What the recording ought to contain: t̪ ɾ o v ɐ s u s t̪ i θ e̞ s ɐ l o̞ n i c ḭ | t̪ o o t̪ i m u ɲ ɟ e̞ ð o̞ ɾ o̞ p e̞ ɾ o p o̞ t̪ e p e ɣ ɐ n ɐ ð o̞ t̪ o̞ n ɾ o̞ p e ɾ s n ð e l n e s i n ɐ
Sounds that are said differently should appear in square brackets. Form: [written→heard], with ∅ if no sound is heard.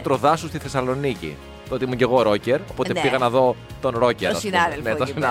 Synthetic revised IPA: t̪ ɾ o [v→ð] ɐ s u s t̪ i θ e̞ s ɐ l o̞ n i c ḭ | t̪ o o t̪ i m u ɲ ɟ e̞ [ð→ɣ] o̞ ɾ o̞ [p→c] e̞ ɾ o p o̞ t̪ e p [e→i] ɣ ɐ n ɐ ð o̞ t̪ o̞ n ɾ o̞ [p→c] e ɾ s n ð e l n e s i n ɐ